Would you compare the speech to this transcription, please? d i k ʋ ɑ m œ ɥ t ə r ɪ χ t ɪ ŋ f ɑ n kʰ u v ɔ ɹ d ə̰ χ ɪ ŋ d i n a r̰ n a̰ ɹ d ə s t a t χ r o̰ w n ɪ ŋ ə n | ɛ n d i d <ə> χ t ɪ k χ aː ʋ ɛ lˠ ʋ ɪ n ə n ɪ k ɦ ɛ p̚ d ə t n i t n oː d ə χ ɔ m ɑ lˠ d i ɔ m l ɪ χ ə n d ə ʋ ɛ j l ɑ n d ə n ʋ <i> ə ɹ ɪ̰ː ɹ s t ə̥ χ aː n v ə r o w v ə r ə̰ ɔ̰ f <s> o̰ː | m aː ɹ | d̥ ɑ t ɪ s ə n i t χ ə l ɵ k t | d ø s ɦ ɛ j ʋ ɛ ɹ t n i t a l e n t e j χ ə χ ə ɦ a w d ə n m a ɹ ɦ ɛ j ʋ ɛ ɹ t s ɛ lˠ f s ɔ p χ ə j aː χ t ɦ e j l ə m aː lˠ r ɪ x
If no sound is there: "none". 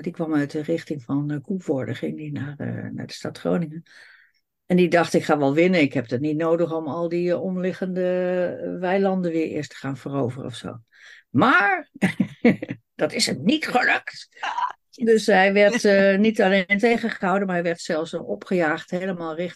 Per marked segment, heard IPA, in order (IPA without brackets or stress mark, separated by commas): ɑ, ɪ, s